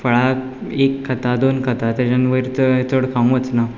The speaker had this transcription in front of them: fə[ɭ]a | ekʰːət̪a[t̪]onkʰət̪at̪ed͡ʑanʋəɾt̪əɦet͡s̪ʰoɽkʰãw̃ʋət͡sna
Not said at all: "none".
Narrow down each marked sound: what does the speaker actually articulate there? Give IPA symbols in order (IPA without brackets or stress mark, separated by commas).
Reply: ɭ, d̪